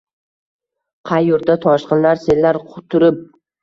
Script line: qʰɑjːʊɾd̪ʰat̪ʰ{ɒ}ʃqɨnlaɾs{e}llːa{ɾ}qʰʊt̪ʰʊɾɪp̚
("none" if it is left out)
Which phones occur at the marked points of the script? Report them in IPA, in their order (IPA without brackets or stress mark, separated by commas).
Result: ɒ, e, ɾ